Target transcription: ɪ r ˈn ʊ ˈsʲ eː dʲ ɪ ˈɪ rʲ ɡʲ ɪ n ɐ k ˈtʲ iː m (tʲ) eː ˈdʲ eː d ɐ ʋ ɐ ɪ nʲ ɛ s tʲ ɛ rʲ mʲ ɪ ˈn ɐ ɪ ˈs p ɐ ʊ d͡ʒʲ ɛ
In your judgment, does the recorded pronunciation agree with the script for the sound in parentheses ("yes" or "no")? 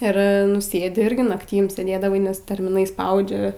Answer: no